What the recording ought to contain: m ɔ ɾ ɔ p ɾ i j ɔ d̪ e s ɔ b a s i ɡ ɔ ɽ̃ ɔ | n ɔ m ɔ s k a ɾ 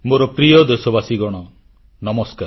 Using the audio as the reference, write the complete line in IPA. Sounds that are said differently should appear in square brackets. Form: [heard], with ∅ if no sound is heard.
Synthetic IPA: m [o] ɾ ɔ p ɾ i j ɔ d̪ e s ɔ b a s i ɡ ɔ ɽ̃ ɔ | n ɔ m ɔ s k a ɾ